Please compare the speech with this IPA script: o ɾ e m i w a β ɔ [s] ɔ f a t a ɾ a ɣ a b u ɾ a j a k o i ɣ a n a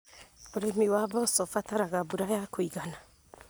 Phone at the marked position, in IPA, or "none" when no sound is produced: s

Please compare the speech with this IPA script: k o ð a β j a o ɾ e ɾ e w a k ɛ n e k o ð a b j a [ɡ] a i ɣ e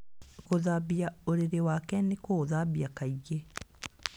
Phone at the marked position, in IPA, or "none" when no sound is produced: k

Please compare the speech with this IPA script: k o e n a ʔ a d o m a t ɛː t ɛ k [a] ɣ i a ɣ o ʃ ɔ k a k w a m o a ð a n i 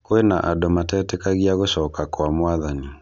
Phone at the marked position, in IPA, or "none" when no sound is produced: a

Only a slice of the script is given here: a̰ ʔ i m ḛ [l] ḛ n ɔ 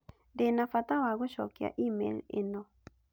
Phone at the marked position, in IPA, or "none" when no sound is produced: l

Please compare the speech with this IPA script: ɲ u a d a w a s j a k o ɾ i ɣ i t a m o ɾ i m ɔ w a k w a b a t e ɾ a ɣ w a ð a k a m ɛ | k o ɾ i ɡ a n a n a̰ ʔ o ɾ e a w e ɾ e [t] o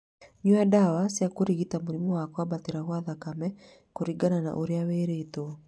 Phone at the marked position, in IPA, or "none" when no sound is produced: t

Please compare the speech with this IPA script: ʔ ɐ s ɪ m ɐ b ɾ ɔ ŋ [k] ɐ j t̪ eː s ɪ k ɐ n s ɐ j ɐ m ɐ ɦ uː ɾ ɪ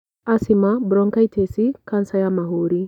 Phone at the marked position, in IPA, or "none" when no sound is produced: k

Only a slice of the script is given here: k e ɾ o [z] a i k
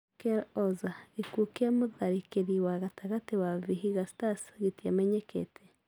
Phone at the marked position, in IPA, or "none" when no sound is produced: z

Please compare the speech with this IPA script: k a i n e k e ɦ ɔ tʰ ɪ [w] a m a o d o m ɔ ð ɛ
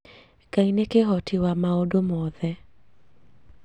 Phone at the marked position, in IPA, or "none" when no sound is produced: w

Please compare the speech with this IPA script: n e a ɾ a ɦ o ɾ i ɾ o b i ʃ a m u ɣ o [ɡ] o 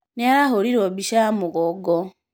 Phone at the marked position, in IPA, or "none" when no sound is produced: ɡ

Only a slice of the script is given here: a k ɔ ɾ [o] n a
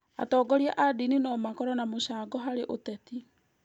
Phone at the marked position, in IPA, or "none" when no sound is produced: ɔ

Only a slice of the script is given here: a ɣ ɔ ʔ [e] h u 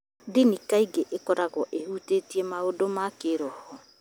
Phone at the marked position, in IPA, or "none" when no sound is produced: e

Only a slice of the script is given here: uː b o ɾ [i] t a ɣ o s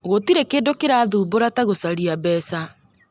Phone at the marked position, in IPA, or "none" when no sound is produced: a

